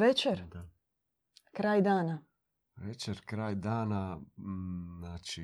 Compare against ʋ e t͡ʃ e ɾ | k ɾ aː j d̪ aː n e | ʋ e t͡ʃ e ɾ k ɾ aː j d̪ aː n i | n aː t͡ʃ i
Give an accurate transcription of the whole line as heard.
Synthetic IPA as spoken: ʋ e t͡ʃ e ɾ | k ɾ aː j d̪ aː n a | ʋ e t͡ʃ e ɾ k ɾ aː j d̪ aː n a | n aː t͡ʃ i